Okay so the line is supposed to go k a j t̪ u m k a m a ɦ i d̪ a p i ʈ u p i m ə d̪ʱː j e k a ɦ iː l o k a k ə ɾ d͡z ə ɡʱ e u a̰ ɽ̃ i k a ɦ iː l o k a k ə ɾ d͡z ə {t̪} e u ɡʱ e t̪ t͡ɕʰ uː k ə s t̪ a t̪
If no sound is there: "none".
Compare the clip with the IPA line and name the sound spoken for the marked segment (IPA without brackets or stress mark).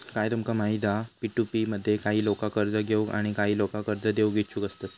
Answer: d̪